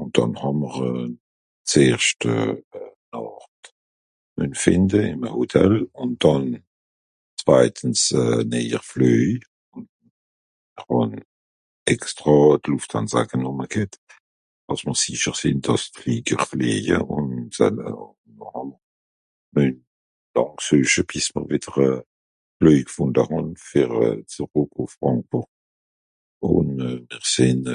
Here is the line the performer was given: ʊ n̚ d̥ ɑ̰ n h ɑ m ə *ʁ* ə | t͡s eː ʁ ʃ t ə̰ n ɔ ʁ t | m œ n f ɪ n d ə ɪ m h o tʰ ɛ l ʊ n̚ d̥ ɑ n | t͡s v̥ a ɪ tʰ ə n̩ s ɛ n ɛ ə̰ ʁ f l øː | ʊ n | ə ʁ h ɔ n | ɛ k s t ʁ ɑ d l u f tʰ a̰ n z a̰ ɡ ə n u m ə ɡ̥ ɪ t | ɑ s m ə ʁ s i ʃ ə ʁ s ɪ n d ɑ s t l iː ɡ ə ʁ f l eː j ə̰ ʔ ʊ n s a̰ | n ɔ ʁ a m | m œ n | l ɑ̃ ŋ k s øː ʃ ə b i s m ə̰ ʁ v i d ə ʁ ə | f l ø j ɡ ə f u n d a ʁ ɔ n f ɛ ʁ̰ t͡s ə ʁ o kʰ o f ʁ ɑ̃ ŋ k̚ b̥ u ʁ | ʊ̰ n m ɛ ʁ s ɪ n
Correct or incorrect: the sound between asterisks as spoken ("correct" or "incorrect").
correct